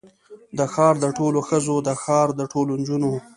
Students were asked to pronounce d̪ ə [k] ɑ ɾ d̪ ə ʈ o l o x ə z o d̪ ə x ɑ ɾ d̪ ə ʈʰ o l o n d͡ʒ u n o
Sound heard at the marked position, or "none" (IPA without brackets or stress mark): x